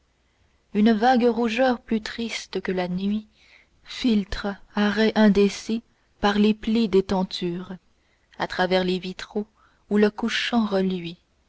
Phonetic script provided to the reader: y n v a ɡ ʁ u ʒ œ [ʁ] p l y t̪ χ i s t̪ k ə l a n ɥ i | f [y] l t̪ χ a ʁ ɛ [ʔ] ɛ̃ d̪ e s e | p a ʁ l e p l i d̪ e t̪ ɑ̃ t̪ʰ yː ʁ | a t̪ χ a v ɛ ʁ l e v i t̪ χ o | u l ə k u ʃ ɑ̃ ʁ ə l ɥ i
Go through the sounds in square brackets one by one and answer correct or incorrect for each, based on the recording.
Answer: correct, incorrect, correct

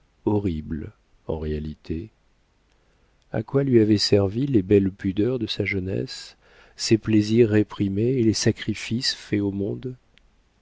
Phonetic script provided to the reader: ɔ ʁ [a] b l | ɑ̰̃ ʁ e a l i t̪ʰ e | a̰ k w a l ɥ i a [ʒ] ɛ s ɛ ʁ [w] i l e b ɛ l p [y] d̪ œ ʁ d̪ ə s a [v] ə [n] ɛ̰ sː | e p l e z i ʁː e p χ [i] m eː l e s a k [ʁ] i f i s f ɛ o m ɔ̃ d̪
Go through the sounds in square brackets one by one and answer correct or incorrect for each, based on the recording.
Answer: incorrect, incorrect, incorrect, correct, incorrect, correct, correct, incorrect

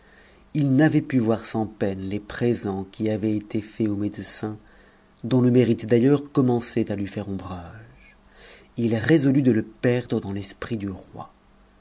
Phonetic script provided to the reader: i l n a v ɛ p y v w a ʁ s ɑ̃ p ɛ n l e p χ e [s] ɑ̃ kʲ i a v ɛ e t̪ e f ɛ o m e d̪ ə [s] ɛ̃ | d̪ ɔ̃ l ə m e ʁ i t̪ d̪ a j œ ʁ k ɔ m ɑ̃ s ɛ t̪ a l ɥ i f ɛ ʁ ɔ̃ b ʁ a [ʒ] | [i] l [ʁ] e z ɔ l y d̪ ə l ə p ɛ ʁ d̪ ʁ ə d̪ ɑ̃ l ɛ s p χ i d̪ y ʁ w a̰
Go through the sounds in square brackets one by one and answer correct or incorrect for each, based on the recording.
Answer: incorrect, correct, correct, correct, correct

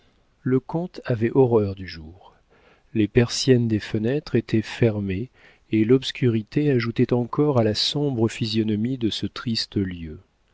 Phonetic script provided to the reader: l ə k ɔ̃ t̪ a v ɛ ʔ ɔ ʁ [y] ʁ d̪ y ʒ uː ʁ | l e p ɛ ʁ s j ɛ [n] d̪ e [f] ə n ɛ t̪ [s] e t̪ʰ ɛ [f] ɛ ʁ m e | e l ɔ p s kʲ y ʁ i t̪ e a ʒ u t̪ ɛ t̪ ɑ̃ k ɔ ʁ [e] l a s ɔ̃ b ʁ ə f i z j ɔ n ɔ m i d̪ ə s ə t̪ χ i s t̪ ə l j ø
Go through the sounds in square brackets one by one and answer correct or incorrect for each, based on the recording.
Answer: incorrect, correct, correct, incorrect, correct, incorrect

